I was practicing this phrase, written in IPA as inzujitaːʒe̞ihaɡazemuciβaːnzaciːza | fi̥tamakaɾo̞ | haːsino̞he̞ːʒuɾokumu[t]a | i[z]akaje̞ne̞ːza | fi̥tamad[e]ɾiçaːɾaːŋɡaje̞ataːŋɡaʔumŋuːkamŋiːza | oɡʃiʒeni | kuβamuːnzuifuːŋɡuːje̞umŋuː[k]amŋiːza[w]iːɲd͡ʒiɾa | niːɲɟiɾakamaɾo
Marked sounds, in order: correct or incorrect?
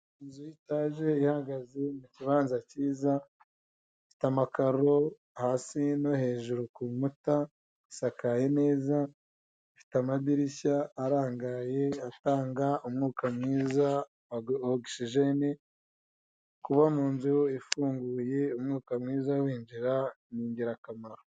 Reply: correct, incorrect: s, incorrect: i, correct, correct

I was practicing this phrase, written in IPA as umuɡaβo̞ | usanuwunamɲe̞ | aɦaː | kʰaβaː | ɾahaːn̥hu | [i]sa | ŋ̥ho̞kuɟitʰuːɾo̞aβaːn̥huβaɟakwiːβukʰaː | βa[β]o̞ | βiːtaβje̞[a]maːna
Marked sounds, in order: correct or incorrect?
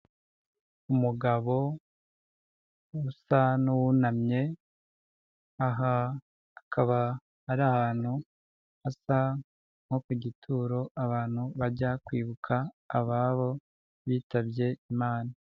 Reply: incorrect: a, correct, incorrect: i

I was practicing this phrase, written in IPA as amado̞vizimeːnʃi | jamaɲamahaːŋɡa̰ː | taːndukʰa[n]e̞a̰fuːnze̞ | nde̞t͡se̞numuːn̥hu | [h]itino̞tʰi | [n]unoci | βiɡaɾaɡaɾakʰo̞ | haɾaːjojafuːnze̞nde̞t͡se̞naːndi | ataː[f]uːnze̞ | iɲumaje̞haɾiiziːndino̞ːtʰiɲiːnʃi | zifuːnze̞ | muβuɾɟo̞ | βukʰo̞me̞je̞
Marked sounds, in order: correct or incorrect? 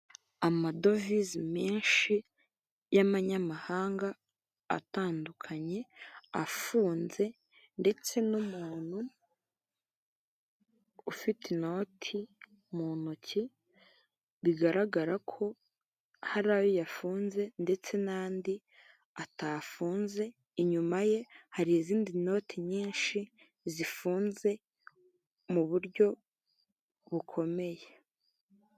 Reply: incorrect: ɲ, incorrect: f, incorrect: m, correct

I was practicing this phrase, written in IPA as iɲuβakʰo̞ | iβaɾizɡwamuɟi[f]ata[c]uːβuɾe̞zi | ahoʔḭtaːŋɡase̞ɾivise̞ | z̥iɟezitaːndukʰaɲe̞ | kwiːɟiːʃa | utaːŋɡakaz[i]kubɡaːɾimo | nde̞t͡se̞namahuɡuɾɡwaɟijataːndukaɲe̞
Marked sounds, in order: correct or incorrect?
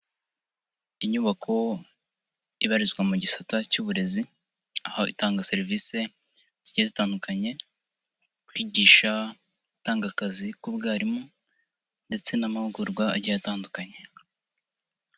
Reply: incorrect: s, correct, correct

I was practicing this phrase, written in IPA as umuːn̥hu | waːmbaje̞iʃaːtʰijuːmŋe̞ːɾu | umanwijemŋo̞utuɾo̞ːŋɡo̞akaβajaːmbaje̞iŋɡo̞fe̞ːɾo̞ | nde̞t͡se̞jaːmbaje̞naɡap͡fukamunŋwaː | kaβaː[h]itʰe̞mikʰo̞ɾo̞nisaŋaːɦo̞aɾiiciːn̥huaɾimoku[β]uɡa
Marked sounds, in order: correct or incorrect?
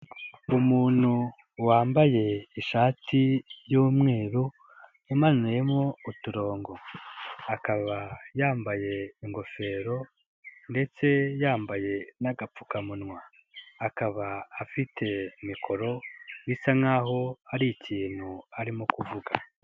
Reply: incorrect: f, incorrect: v

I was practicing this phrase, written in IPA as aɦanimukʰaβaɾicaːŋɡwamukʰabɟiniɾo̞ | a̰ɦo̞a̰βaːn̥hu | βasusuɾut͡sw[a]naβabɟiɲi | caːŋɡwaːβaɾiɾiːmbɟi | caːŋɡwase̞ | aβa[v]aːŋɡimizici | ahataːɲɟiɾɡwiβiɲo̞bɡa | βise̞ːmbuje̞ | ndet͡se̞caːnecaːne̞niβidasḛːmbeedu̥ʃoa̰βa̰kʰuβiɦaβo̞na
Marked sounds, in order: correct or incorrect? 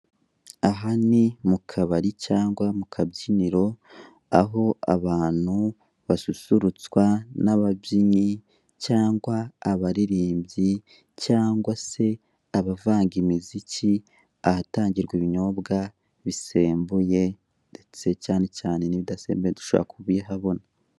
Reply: correct, correct

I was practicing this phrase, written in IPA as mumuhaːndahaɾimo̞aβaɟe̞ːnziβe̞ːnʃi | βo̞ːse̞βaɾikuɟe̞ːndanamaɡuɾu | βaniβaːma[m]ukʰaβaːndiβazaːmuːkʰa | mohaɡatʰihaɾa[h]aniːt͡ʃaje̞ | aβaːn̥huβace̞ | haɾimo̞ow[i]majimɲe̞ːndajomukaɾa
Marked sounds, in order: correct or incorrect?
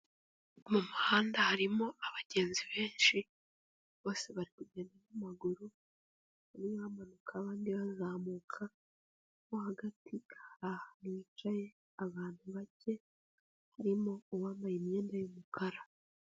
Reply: incorrect: n, correct, incorrect: a

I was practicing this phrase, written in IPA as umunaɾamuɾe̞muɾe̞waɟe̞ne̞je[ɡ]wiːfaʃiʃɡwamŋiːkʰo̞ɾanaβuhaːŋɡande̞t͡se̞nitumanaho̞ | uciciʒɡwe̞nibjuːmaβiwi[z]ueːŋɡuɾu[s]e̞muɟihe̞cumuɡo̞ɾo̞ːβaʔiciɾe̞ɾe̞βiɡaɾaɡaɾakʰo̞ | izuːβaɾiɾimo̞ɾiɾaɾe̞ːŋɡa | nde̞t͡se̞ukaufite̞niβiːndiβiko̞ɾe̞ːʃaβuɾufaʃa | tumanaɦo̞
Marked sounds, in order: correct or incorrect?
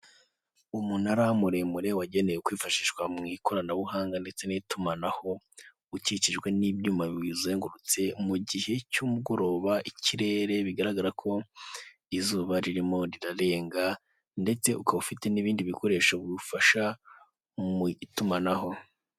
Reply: incorrect: k, correct, incorrect: t͡s

